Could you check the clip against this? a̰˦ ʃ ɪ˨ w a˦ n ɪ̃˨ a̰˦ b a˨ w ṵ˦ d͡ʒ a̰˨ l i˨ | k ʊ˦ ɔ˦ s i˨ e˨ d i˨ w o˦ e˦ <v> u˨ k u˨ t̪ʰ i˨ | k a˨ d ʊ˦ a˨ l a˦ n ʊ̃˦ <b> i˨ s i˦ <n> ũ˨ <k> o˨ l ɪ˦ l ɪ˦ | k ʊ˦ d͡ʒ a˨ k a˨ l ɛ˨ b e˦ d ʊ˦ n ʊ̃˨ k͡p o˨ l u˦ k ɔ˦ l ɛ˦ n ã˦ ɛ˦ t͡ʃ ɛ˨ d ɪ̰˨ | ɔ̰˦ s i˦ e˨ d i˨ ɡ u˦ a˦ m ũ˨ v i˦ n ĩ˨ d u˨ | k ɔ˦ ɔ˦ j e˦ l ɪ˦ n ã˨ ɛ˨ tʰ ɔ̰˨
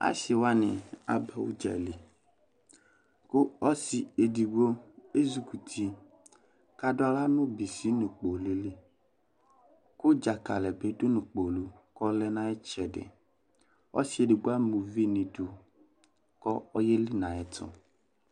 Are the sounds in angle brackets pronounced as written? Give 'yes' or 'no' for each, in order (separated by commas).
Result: no, yes, yes, no